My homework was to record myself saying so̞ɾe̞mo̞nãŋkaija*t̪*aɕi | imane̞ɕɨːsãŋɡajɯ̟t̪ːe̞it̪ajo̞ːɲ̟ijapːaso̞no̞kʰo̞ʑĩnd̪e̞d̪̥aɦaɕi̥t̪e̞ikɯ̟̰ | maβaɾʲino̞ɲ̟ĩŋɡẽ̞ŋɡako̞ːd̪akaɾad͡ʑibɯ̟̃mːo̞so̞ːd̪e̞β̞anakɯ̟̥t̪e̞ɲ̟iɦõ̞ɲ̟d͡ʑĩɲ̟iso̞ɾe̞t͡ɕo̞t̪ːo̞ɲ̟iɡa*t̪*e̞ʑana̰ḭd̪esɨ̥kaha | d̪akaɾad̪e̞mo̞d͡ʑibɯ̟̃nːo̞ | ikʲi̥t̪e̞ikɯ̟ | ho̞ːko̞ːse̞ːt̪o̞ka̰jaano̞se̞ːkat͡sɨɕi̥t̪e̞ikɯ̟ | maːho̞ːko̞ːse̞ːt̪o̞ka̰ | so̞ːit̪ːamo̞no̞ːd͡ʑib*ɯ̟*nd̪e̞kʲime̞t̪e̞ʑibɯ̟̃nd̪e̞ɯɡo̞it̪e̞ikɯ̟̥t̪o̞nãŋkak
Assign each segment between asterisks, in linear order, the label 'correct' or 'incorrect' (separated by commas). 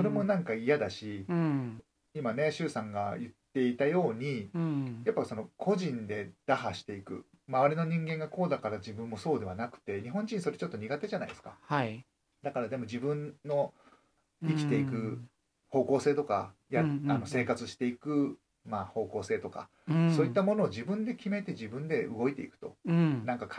incorrect, correct, incorrect